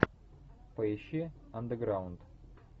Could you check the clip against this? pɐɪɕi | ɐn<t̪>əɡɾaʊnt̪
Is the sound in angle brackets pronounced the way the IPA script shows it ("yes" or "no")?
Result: no